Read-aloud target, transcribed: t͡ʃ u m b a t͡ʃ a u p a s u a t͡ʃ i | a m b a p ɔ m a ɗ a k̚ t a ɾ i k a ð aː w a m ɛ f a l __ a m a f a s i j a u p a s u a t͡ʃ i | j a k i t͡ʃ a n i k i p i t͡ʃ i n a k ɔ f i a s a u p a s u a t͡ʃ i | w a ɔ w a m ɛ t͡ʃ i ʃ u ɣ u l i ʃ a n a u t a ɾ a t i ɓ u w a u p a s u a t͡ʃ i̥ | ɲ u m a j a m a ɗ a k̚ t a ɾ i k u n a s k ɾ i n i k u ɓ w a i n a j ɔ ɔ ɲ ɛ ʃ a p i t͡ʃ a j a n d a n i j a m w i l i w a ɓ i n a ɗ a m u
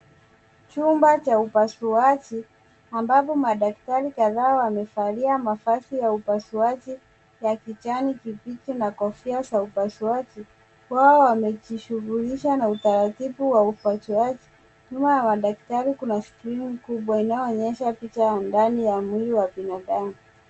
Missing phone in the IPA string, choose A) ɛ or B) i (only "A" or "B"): B